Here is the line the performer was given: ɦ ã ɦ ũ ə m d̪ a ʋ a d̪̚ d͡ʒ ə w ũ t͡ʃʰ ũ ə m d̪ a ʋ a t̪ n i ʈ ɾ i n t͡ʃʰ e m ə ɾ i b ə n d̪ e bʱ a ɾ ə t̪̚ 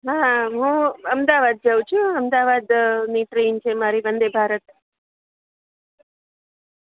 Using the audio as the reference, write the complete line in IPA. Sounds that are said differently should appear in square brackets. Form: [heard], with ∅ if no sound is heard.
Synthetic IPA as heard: ɦ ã ɦ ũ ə m d̪ a ʋ a d̪̚ d͡ʒ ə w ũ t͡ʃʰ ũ ə m d̪ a ʋ a [d̪] n i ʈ ɾ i n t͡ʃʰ e m [a] ɾ i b ə n d̪ e bʱ a ɾ ə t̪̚

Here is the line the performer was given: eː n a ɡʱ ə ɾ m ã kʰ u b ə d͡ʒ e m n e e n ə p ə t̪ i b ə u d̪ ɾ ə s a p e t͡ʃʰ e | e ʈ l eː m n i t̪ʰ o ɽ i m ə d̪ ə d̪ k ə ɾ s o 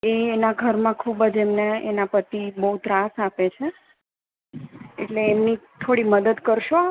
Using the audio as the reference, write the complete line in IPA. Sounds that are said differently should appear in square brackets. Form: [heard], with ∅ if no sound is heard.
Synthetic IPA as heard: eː n a ɡʱ ə ɾ m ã kʰ u b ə d͡ʒ e m n e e n [a] p ə t̪ i b ə u [t̪] ɾ [a] s a p e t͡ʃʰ e | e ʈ l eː m n i t̪ʰ o ɽ i m ə d̪ ə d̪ k ə ɾ [ʃ] o

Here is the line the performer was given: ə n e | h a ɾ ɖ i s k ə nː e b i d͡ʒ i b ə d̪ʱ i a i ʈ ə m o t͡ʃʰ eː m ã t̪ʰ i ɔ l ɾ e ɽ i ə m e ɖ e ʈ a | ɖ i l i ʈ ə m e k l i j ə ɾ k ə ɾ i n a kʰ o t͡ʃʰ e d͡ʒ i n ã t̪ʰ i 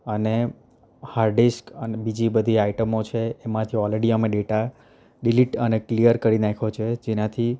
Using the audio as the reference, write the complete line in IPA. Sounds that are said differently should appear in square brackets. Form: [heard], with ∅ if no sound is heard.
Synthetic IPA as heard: ə n e | h a ɾ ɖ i s k ə [n] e b i d͡ʒ i b ə d̪ʱ i a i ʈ ə m o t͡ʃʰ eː m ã t̪ʰ i ɔ l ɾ e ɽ i ə m e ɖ e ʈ a | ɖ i l i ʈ ə [n] e k l i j ə ɾ k ə ɾ i n a kʰ o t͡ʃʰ e d͡ʒ [e] n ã t̪ʰ i

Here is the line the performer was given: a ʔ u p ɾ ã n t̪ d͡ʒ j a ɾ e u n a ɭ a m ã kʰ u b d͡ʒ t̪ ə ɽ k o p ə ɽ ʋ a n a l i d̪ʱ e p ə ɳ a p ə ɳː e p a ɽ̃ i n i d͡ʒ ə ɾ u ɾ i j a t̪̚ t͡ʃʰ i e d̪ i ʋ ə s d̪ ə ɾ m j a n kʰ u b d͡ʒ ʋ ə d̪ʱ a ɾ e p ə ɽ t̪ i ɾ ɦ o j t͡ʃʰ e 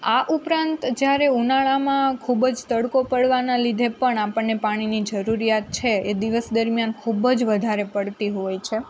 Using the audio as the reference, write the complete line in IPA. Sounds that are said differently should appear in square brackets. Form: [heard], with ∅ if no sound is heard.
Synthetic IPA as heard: a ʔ u p ɾ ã n t̪ d͡ʒ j a ɾ e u n a ɭ a m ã kʰ u b d͡ʒ t̪ ə ɽ k o p ə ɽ ʋ a n a l i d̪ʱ e p ə ɳ a p ə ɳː e p a ɽ̃ i n i d͡ʒ ə ɾ u ɾ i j a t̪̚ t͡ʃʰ [e] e d̪ i ʋ ə s d̪ ə ɾ m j a n kʰ u b d͡ʒ ʋ ə d̪ʱ a ɾ e p ə ɽ t̪ i [∅] ɦ o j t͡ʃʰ e

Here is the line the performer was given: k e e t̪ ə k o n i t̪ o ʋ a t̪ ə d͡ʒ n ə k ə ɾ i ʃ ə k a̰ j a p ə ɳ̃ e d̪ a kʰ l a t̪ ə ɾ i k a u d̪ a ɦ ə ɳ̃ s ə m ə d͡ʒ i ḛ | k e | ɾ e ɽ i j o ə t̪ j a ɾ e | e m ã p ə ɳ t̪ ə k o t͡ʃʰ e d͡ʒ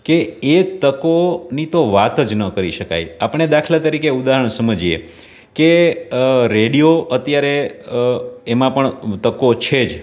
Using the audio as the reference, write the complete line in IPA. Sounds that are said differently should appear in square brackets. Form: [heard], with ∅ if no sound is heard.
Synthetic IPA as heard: k e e t̪ ə k o n i t̪ o ʋ a t̪ ə d͡ʒ n ə k ə ɾ i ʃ ə k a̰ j a p ə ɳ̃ e d̪ a kʰ l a t̪ ə ɾ i k [e] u d̪ a ɦ ə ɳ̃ s ə m ə d͡ʒ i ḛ | k e | ɾ e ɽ i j o ə t̪ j a ɾ e | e m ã p ə ɳ t̪ ə k o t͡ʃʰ e d͡ʒ

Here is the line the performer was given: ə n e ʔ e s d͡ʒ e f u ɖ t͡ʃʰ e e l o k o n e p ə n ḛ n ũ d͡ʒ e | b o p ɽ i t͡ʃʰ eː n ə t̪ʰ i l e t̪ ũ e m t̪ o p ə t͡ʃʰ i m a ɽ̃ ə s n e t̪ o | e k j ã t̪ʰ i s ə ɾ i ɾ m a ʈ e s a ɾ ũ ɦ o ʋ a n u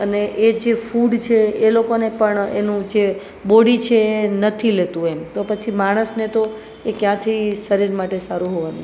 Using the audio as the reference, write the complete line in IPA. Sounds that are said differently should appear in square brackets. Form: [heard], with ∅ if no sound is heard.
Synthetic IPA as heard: ə n e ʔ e [∅] d͡ʒ e f u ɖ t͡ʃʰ e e l o k o n e p ə [ɳ] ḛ n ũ d͡ʒ e | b o [∅] ɽ i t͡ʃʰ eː n ə t̪ʰ i l e t̪ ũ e m t̪ o p ə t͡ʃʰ i m a ɽ̃ ə s n e t̪ o | e k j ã t̪ʰ i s ə ɾ i ɾ m a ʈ e s a ɾ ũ ɦ o ʋ a n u

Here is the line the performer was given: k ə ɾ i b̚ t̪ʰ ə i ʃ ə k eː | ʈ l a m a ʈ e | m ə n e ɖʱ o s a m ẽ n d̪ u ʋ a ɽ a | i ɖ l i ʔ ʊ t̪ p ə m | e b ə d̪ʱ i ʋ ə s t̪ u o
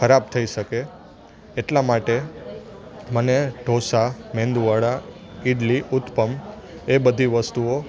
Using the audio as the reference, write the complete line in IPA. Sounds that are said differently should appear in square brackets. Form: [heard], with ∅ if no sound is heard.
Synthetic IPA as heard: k ə ɾ [a] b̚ t̪ʰ ə i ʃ ə k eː | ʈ l a m a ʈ e | m ə n e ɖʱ o s a m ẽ n d̪ u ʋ a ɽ a | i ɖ l i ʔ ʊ t̪ p ə m | e b ə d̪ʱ i ʋ ə s t̪ u o

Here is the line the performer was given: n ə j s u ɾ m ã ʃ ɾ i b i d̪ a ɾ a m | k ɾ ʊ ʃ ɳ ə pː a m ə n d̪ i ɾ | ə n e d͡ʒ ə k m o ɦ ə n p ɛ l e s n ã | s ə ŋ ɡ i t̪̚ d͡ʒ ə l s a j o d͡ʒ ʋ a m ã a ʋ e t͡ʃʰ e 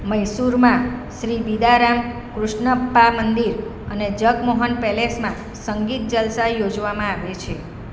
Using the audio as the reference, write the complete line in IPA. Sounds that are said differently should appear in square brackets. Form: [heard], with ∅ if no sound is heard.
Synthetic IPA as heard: [m] ə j s u ɾ m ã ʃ ɾ i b i d̪ a ɾ a m | k ɾ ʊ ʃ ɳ ə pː a m ə n d̪ i ɾ | ə n e d͡ʒ ə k m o ɦ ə n p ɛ l e s [m] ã | s ə ŋ ɡ i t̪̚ d͡ʒ ə l s a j o d͡ʒ ʋ a m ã a ʋ e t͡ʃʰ e

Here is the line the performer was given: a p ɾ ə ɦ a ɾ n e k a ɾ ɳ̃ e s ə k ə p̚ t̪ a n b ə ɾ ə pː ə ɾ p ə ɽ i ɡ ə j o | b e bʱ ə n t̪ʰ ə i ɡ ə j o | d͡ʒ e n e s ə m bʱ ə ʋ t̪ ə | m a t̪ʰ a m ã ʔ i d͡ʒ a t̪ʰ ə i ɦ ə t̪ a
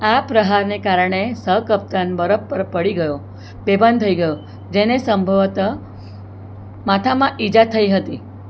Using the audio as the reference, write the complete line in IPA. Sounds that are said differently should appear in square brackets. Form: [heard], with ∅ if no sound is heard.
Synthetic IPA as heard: a p ɾ ə ɦ a ɾ n e k a ɾ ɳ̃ e s ə k ə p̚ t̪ a n b ə ɾ ə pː ə ɾ p ə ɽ i ɡ ə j o | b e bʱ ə n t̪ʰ ə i ɡ ə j o | d͡ʒ e n e s ə m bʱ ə ʋ t̪ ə | m a t̪ʰ a m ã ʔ i d͡ʒ a t̪ʰ ə i ɦ ə t̪ [i]

